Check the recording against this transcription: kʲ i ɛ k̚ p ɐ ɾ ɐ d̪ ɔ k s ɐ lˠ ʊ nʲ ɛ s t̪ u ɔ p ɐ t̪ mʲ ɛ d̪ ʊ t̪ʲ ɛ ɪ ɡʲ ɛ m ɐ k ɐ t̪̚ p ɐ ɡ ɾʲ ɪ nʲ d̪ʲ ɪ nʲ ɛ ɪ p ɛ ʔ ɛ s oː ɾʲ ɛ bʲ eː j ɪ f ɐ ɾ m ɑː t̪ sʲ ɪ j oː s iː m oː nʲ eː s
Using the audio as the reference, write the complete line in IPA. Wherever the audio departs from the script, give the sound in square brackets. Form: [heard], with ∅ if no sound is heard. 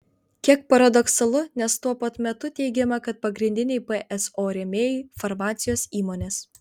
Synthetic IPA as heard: kʲ i ɛ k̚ p ɐ ɾ ɐ d̪ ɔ k s ɐ lˠ ʊ nʲ ɛ s t̪ u ɔ p ɐ t̪ mʲ ɛ [t̪] ʊ t̪ʲ ɛ ɪ ɡʲ ɛ m ɐ k ɐ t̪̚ p ɐ ɡ ɾʲ ɪ nʲ d̪ʲ ɪ nʲ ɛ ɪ p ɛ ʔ ɛ s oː ɾʲ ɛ [mʲ] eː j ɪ f ɐ ɾ m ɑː t̪ sʲ ɪ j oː s iː m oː nʲ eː s

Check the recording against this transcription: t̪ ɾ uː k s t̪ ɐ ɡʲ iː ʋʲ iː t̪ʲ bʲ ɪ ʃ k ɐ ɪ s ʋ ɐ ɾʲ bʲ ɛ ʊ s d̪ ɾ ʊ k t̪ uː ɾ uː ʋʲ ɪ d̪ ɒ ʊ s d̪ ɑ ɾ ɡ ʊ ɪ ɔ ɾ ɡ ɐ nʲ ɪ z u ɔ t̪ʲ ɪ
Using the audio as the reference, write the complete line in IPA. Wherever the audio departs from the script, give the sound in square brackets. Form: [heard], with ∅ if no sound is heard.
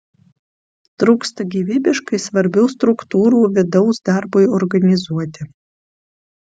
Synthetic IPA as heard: t̪ ɾ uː k s t̪ ɐ ɡʲ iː ʋʲ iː [∅] bʲ ɪ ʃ k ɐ ɪ s ʋ ɐ ɾʲ bʲ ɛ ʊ s [t̪] ɾ ʊ k t̪ uː ɾ uː ʋʲ ɪ d̪ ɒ ʊ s d̪ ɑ ɾ [b] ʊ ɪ ɔ ɾ ɡ ɐ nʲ ɪ z u ɔ t̪ʲ ɪ

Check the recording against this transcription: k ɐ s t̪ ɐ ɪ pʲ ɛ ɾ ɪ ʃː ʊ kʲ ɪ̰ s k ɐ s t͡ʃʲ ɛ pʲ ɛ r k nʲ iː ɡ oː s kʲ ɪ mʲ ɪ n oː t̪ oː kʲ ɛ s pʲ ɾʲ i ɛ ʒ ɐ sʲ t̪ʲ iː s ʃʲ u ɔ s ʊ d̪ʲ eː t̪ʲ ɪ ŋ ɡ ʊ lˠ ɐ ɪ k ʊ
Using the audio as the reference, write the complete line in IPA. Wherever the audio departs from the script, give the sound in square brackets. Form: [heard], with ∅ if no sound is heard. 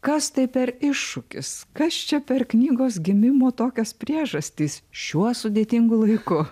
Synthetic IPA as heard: k ɐ s t̪ ɐ ɪ pʲ ɛ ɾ ɪ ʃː ʊ kʲ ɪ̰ s k ɐ s t͡ʃʲ ɛ pʲ ɛ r k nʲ iː ɡ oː s [ɡʲ] ɪ mʲ ɪ [m] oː t̪ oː kʲ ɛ s pʲ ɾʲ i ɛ ʒ ɐ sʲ t̪ʲ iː s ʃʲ u ɔ s ʊ d̪ʲ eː t̪ʲ ɪ ŋ ɡ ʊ lˠ ɐ ɪ k ʊ

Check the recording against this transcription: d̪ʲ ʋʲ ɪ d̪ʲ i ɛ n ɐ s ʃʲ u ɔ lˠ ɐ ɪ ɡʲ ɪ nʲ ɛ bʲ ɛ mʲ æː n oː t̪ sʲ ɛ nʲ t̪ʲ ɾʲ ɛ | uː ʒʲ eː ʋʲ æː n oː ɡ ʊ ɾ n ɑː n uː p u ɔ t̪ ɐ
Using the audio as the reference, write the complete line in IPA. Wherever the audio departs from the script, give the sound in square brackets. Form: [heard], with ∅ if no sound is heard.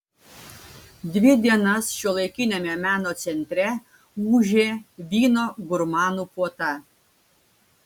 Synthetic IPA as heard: d̪ʲ ʋʲ ɪ d̪ʲ i ɛ n ɐ s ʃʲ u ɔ lˠ ɐ ɪ [kʲ] ɪ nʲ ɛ [mʲ] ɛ mʲ æː n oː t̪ sʲ ɛ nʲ t̪ʲ ɾʲ ɛ | uː ʒʲ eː ʋʲ [iː] n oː ɡ ʊ ɾ [m] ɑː n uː p u ɔ t̪ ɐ

